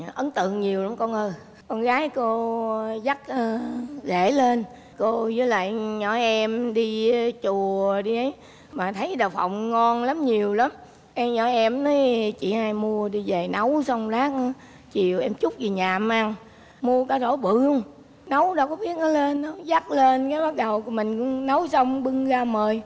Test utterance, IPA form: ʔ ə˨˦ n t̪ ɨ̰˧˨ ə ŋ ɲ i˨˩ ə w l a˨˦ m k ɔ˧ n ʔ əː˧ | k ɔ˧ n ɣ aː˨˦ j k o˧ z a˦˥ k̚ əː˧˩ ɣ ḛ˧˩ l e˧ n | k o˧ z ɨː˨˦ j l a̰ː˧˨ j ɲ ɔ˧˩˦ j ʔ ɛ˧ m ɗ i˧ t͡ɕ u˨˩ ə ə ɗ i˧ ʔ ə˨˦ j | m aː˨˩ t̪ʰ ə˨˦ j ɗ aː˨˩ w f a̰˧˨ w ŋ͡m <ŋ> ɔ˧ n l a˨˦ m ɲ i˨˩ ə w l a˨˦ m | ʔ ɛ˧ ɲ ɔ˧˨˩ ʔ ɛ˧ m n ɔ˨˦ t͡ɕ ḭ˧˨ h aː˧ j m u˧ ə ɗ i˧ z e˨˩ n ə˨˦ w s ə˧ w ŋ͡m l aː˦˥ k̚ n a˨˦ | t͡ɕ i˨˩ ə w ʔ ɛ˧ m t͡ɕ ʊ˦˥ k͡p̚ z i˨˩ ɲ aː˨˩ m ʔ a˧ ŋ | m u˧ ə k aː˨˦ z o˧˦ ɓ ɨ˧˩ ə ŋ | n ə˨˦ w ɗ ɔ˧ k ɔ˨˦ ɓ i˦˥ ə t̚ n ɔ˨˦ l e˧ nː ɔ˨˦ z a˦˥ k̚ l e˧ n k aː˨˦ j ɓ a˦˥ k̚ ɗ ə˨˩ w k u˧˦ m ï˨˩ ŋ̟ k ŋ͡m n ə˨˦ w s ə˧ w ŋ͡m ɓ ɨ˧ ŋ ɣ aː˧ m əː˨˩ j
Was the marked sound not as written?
no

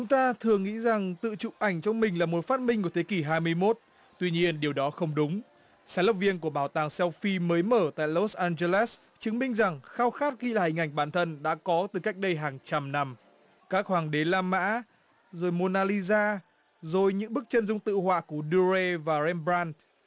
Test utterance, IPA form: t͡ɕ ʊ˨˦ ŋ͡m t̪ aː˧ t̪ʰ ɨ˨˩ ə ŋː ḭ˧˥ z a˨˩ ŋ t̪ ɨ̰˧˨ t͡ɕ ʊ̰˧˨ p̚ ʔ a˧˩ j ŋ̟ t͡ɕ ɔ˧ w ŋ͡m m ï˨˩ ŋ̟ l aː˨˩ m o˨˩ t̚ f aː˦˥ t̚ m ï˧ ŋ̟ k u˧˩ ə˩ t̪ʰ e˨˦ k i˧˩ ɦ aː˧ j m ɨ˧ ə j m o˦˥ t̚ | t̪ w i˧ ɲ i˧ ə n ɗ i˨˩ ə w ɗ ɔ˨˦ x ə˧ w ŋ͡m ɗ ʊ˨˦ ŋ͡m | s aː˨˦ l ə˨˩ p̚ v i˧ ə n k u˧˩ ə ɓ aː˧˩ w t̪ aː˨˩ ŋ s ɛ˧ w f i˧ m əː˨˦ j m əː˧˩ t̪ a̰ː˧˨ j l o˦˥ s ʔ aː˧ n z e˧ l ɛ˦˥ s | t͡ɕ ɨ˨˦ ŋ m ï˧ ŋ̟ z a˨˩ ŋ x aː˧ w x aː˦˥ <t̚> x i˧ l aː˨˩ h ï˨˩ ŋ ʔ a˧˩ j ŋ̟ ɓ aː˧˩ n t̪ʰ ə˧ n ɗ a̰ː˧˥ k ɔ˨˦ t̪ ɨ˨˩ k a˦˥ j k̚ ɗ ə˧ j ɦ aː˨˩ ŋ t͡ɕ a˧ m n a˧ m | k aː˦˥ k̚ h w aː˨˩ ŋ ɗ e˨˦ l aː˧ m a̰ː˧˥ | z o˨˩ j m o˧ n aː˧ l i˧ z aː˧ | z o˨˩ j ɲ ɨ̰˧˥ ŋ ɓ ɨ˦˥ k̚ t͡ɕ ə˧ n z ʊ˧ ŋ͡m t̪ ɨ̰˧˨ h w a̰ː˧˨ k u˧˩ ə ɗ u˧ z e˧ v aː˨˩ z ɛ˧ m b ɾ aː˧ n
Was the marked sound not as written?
no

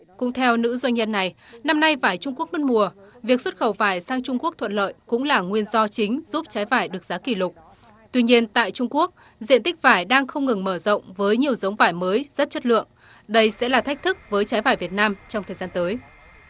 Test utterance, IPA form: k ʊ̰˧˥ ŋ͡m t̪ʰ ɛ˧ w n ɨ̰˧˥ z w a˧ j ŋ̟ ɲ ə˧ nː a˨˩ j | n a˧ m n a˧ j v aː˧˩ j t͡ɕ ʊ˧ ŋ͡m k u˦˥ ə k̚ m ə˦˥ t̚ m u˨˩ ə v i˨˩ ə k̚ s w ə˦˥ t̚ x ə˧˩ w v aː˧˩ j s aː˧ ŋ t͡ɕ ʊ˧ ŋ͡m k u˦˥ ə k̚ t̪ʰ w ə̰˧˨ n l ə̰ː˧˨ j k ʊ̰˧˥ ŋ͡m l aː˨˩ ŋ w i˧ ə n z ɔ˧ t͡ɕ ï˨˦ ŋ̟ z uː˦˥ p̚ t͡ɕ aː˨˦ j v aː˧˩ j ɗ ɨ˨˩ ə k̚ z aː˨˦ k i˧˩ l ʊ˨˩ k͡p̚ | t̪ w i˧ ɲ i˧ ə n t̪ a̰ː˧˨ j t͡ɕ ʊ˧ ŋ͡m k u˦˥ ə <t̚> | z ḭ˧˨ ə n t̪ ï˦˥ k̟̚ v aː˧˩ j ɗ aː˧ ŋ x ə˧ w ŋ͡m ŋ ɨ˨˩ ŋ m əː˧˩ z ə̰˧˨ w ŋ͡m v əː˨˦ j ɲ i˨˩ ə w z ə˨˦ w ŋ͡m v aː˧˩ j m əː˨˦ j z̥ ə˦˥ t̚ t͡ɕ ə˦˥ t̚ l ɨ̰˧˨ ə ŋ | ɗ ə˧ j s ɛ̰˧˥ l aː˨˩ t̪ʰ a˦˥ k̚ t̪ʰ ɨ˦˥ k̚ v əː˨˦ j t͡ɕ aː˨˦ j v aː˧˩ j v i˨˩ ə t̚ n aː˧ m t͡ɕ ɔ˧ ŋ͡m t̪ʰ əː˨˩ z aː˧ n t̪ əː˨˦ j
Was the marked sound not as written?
yes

